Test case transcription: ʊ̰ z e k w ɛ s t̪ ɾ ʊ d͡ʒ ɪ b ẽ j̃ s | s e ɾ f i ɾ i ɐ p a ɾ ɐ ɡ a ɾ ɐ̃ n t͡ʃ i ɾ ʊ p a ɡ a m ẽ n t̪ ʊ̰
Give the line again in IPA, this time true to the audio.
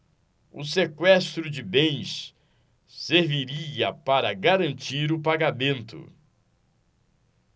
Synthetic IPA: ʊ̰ s e k w ɛ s t̪ ɾ ʊ d͡ʒ ɪ b ẽ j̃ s | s e ɾ v i ɾ i ɐ p a ɾ ɐ ɡ a ɾ ɐ̃ n t͡ʃ i ɾ ʊ p a ɡ a m ẽ n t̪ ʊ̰